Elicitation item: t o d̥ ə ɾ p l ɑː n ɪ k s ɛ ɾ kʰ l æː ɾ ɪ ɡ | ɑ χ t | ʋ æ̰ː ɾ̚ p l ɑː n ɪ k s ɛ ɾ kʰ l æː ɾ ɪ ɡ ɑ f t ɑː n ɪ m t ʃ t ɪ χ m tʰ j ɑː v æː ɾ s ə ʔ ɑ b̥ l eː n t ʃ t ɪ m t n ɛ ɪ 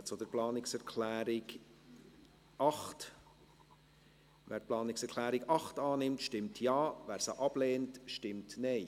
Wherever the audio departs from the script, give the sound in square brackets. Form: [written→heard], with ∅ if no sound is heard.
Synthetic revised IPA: [t→t͡s] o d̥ ə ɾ p l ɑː n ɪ k s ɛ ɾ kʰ l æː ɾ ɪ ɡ | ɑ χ t | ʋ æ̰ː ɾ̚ p l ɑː n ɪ k s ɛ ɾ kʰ l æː ɾ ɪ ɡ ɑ [f→χ] t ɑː n ɪ m t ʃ t ɪ [χ→∅] m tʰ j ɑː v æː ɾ s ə ʔ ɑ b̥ l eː n t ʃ t ɪ m t n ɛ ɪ